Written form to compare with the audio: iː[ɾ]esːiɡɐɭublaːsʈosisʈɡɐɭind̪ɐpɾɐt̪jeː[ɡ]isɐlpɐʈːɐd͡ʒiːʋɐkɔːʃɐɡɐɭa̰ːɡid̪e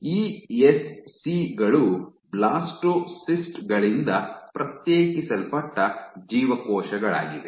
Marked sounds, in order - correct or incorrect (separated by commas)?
incorrect, incorrect